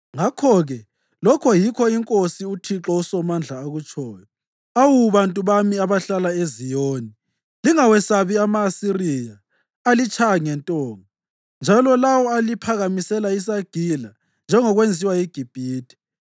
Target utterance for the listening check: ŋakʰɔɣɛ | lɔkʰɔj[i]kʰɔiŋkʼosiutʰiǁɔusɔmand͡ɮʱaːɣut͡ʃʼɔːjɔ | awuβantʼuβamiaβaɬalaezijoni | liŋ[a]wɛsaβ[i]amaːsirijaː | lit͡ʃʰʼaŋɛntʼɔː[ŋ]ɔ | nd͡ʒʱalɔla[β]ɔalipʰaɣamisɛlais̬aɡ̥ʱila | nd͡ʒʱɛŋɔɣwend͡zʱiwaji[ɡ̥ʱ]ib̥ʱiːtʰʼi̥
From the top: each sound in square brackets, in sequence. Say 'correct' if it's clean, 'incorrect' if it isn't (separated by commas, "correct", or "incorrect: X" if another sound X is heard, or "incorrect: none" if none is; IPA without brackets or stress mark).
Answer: correct, correct, correct, correct, incorrect: w, correct